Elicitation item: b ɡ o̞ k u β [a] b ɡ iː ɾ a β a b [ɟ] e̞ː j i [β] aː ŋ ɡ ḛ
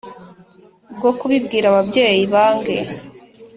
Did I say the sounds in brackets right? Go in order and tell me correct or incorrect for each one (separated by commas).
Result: incorrect, correct, correct